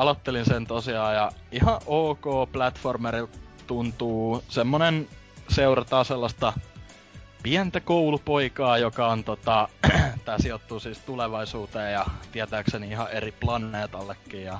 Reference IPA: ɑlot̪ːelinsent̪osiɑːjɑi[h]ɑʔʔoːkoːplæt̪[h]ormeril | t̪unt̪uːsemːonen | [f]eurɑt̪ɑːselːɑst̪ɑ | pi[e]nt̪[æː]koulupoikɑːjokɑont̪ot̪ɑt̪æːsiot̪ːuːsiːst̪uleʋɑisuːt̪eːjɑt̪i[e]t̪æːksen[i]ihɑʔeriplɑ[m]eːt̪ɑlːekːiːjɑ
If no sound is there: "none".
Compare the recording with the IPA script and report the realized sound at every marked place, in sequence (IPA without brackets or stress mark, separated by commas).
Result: h, f, s, æ, æ, æ, i, n